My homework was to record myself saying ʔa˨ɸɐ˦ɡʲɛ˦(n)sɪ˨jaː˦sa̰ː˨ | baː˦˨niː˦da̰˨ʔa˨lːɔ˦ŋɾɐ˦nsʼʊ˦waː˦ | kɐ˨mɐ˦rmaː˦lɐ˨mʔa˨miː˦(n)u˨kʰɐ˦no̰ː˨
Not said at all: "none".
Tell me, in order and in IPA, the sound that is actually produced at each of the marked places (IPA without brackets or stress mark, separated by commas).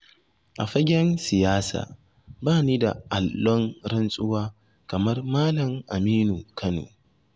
n, n